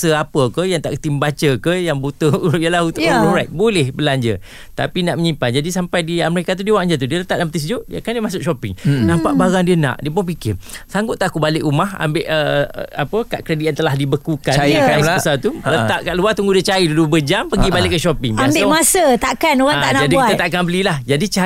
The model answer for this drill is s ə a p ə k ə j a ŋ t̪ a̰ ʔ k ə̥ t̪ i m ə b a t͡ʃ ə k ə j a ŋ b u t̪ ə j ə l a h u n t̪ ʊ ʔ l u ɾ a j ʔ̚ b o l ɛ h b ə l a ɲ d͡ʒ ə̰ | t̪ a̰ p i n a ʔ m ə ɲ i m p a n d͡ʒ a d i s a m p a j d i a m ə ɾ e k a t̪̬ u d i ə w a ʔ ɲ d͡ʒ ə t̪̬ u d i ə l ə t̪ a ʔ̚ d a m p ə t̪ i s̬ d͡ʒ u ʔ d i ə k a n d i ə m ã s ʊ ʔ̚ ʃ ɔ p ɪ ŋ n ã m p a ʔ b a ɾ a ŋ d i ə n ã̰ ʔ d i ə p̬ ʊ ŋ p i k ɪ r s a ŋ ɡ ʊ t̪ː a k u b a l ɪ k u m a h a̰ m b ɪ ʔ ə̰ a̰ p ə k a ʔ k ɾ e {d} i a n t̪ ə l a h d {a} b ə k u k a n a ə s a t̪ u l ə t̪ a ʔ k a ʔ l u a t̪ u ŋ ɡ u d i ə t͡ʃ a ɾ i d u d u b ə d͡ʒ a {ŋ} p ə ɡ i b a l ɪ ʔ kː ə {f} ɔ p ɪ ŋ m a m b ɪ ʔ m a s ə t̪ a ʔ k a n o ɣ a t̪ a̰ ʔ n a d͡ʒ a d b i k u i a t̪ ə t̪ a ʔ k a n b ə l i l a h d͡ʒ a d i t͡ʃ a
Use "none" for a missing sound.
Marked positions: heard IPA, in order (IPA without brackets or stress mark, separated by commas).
d, i, m, ʃ